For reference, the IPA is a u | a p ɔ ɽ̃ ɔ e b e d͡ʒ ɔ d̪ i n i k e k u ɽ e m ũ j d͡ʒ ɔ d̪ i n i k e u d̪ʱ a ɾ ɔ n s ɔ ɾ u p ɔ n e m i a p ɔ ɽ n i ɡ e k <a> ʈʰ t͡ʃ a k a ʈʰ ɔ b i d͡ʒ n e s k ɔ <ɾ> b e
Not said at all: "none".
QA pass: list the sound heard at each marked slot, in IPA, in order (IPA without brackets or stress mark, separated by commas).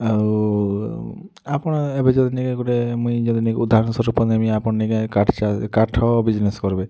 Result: a, ɾ